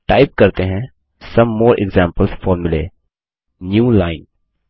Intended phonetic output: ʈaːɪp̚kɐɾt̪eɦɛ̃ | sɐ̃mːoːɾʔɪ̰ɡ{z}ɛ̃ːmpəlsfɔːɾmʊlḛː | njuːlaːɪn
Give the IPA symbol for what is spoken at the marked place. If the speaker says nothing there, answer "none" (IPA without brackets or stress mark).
z